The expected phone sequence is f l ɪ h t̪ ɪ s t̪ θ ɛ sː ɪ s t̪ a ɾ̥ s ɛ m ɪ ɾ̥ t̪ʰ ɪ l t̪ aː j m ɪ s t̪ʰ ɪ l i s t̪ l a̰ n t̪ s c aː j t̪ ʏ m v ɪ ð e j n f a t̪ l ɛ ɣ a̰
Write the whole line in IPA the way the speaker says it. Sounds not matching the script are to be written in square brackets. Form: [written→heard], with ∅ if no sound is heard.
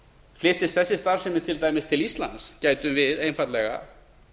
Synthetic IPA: f l ɪ h t̪ ɪ s t̪ θ ɛ sː ɪ s t̪ a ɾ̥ s ɛ m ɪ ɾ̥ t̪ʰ ɪ l t̪ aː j m ɪ s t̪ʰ ɪ l i s t̪ l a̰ n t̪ s c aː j t̪ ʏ m v ɪ ð e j n f a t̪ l ɛ ɣ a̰